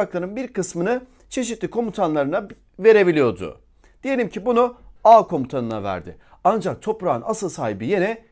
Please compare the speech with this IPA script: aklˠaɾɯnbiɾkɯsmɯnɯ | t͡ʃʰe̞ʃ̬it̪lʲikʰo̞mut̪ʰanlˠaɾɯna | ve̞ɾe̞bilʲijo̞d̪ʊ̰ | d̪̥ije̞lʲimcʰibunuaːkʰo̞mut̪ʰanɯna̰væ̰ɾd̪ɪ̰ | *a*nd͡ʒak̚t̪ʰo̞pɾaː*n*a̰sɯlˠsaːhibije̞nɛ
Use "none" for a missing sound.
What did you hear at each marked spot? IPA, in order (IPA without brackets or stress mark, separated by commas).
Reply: a, n